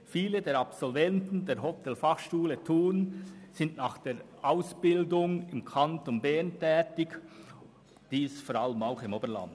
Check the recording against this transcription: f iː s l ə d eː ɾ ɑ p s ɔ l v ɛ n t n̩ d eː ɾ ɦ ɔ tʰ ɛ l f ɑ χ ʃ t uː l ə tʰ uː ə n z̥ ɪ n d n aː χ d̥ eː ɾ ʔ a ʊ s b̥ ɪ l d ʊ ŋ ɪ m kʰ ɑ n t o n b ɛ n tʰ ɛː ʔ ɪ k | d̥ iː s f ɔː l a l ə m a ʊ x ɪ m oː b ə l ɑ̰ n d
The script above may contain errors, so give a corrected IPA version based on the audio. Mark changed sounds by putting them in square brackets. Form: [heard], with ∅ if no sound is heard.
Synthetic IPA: f iː [∅] l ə d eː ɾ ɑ p s ɔ l v ɛ n t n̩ d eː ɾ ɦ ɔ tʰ ɛ l f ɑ χ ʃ t uː l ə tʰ uː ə n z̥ ɪ n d n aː χ d̥ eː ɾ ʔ a ʊ s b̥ ɪ l d ʊ ŋ ɪ m kʰ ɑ n t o n b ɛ n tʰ ɛː [t] ɪ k | d̥ iː s f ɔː [ɾ] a l ə m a ʊ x ɪ m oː b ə l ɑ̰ n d